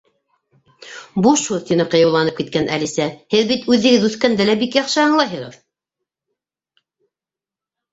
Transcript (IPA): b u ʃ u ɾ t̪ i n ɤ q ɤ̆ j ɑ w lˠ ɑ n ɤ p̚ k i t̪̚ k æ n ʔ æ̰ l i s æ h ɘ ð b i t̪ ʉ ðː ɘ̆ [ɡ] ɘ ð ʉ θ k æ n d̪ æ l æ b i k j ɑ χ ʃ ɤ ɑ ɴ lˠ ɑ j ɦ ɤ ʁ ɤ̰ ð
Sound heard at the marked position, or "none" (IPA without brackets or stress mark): ɡ